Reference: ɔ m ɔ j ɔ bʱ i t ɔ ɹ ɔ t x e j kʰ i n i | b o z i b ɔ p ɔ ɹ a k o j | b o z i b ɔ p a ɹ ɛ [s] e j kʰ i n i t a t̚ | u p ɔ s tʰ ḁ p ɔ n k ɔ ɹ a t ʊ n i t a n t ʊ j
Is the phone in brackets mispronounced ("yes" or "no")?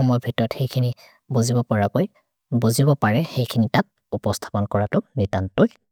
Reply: yes